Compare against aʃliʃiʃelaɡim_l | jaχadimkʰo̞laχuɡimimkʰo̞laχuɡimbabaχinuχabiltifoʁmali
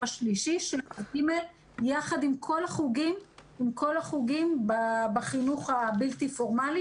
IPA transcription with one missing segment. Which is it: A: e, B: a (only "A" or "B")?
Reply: A